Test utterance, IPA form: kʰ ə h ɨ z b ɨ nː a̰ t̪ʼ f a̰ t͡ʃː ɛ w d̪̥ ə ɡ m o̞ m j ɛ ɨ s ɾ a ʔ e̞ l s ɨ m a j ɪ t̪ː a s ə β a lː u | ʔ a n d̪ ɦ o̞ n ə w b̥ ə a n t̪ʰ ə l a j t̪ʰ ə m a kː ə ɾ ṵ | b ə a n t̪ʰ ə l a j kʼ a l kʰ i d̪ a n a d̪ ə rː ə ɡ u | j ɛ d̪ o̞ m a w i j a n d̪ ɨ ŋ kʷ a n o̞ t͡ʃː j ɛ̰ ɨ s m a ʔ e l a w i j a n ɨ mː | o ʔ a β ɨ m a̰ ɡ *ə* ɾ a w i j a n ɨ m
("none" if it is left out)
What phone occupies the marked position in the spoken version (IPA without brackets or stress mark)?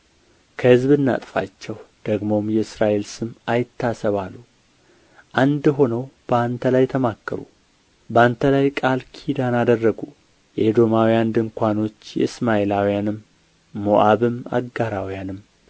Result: a